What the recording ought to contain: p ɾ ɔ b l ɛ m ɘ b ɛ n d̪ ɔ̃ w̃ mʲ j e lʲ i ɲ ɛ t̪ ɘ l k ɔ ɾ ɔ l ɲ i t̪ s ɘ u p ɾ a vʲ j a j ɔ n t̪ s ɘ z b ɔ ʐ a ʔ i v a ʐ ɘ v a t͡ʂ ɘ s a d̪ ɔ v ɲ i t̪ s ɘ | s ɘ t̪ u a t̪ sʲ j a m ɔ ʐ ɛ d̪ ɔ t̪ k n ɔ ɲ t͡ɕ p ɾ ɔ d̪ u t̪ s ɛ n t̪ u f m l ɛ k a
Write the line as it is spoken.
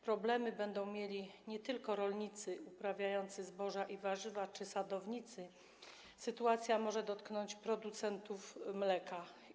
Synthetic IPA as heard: p ɾ ɔ b l ɛ m ɘ b ɛ n d̪ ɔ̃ w̃ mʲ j e lʲ i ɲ ɛ t̪ ɘ l k ɔ ɾ ɔ l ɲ i t̪ s ɘ u p ɾ a vʲ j a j ɔ n t̪ s ɘ z b ɔ ʐ a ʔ i v a ʐ ɘ v a t͡ʂ ɘ s a d̪ ɔ v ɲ i t̪ s ɘ | s ɘ t̪ u a t̪ sʲ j a m ɔ ʐ ɛ d̪ ɔ t̪ k n ɔ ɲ t͡ɕ p ɾ ɔ d̪ u t̪ s ɛ n t̪ u f m l ɛ k a